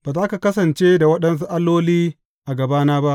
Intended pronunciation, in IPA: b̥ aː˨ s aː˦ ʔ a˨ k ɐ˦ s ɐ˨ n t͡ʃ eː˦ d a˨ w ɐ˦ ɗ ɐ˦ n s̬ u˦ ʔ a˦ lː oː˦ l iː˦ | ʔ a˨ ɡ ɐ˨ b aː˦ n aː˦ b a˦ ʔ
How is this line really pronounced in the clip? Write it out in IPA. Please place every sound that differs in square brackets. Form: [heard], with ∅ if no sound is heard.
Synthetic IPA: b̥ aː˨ [z] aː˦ [k] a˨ k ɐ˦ s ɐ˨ n t͡ʃ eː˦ d a˨ w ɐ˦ ɗ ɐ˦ n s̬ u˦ ʔ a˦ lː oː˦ l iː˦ | ʔ a˨ ɡ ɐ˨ b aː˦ n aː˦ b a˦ ʔ